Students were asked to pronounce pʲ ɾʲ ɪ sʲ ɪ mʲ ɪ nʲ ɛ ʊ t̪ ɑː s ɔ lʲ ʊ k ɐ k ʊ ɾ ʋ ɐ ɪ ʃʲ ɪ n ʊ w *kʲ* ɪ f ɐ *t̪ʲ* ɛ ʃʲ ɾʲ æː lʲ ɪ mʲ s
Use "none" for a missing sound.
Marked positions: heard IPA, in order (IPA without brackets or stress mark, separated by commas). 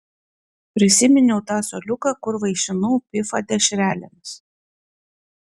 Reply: pʲ, d̪ʲ